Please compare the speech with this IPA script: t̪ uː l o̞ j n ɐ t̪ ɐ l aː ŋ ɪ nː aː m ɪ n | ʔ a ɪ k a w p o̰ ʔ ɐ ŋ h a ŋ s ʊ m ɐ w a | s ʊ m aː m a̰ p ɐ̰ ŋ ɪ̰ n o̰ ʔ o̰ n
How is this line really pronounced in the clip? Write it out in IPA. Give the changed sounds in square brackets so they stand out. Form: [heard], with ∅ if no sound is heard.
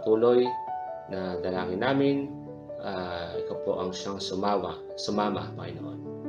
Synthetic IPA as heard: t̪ uː l o̞ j n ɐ [d̪] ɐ l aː ŋ ɪ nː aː m ɪ n | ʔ a ɪ k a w p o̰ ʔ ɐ ŋ [ʃ] a ŋ s ʊ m [a] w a | s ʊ m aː m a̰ p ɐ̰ ŋ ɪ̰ n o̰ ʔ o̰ n